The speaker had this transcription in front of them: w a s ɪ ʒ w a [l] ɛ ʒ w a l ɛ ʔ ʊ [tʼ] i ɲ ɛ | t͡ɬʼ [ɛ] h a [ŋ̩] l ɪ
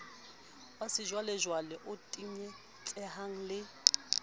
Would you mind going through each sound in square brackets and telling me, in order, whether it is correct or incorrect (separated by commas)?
correct, correct, correct, correct